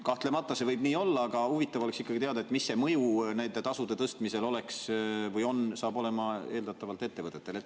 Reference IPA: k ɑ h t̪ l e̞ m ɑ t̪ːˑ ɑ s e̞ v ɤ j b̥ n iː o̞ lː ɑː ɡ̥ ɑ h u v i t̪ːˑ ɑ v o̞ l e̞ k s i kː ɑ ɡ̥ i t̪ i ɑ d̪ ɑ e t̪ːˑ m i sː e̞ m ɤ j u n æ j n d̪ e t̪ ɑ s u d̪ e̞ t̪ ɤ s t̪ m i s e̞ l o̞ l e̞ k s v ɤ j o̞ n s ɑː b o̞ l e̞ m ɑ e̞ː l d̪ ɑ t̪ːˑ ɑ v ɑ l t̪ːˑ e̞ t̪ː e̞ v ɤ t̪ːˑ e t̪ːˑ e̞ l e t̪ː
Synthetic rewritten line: k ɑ h t̪ l e̞ m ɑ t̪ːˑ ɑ s e̞ v ɤ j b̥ n iː o̞ lː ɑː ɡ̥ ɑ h u v i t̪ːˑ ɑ v o̞ l e̞ k s i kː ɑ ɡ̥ i t̪ e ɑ d̪ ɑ e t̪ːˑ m i sː e̞ m ɤ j u n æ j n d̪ e t̪ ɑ s u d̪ e̞ t̪ ɤ s t̪ m i s e̞ l o̞ l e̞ k s v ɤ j o̞ n s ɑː b o̞ l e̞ m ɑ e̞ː l d̪ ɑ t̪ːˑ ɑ v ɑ l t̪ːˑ e̞ t̪ː e̞ v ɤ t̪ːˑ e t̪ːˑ e̞ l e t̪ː